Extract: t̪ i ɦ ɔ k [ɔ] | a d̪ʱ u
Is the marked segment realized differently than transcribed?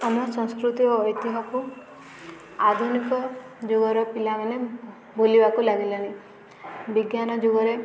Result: yes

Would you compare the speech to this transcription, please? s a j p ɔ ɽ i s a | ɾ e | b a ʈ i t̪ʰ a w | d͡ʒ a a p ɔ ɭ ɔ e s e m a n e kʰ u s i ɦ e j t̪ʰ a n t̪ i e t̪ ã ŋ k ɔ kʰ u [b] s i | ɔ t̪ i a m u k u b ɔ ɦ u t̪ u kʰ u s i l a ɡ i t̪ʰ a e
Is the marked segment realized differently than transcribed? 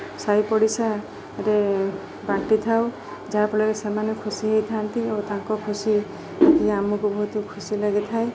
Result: yes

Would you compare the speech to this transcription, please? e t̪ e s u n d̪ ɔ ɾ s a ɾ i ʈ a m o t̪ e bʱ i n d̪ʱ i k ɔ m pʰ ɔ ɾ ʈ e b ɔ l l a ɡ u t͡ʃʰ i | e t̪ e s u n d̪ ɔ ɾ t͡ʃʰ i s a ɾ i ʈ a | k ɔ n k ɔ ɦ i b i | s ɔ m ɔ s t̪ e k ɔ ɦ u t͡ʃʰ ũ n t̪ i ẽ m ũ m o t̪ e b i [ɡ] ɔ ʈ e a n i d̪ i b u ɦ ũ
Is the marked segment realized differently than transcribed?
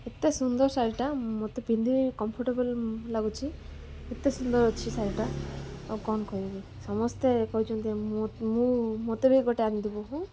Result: no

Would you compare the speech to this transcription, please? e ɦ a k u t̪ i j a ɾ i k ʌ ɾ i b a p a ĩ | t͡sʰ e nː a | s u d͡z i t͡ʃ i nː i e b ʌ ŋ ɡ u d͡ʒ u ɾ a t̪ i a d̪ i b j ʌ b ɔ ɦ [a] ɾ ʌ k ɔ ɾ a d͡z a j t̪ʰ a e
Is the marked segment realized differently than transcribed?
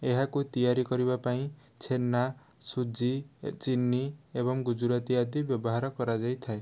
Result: no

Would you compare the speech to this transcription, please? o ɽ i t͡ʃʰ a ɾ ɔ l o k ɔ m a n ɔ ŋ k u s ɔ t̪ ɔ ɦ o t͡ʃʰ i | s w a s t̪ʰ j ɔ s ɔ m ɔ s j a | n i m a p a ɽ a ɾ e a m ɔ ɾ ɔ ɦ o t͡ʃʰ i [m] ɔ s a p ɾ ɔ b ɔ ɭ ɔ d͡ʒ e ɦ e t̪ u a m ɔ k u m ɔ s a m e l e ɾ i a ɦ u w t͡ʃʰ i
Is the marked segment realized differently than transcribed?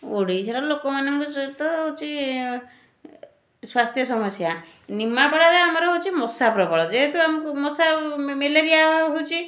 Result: no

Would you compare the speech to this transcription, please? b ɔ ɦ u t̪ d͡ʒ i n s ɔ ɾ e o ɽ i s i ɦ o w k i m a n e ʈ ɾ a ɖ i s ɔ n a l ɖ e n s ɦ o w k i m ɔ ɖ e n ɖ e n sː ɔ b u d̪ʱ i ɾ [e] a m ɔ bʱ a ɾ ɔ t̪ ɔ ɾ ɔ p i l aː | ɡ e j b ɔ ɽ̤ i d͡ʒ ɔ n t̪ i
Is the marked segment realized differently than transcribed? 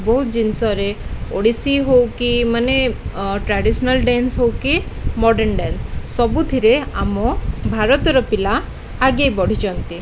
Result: no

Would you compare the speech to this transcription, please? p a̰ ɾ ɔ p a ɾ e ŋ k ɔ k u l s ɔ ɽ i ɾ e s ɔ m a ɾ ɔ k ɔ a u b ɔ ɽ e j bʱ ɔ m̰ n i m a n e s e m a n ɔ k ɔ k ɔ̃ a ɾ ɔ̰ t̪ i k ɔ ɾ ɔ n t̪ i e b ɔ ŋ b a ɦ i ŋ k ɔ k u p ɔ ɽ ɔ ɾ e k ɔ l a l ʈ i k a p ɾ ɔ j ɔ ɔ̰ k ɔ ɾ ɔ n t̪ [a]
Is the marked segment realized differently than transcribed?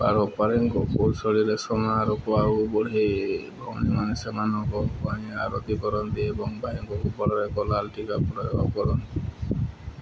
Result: yes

